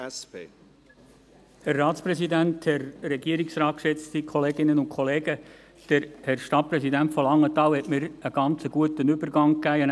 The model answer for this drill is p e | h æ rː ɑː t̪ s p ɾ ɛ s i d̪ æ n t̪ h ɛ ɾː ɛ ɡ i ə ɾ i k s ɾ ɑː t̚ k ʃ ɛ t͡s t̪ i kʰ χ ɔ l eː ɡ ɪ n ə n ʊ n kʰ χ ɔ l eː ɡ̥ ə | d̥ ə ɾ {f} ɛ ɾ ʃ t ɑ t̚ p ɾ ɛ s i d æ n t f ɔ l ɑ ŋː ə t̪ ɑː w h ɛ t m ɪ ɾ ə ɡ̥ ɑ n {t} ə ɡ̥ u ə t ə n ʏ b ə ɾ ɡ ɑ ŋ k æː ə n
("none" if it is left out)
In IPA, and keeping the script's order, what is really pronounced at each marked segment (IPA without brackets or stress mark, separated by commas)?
h, t͡s